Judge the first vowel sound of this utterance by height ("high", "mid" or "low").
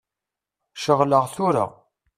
mid